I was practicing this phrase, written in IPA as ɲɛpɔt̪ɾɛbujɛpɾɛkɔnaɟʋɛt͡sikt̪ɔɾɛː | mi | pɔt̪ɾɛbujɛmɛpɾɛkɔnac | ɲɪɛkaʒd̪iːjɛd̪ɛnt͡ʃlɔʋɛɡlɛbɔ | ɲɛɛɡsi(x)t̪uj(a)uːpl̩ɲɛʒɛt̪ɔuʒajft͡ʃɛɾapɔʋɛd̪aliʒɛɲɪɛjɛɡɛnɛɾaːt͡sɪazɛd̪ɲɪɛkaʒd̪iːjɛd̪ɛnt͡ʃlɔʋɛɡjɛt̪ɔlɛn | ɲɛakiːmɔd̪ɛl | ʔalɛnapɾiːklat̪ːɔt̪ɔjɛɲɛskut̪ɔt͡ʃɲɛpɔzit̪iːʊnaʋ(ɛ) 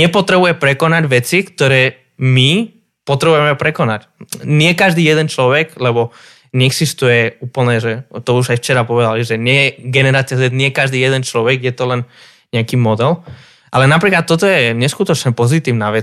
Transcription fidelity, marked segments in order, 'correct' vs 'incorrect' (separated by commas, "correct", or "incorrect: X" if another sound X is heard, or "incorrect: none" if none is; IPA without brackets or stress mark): incorrect: s, incorrect: ɛ, correct